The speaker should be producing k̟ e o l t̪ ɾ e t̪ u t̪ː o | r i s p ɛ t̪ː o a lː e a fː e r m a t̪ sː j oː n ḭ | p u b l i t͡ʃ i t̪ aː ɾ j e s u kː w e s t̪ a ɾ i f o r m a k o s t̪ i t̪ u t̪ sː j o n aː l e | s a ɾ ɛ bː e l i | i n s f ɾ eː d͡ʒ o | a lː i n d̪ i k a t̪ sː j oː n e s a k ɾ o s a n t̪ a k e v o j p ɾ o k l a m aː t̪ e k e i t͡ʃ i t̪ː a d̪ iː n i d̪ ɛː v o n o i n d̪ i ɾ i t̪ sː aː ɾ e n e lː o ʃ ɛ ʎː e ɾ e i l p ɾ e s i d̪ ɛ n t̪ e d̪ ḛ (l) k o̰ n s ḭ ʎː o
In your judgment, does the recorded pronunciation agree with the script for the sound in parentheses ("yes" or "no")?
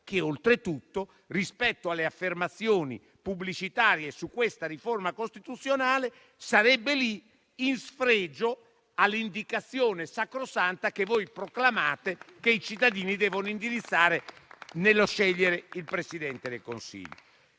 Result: yes